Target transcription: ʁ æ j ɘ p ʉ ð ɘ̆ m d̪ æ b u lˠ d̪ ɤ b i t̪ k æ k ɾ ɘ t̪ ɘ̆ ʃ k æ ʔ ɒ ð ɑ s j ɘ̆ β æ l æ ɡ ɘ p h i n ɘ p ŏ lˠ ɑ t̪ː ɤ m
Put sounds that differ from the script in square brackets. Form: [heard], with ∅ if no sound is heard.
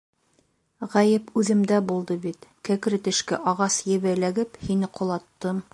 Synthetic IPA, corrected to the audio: ʁ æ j ɘ p ʉ ð ɘ̆ m d̪ æ b u lˠ d̪ ɤ b i t̪ k æ k ɾ ɘ t̪ ɘ̆ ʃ k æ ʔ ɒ [ʁ] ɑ s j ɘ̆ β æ l æ ɡ ɘ p h i n ɘ [q] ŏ lˠ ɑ t̪ː ɤ m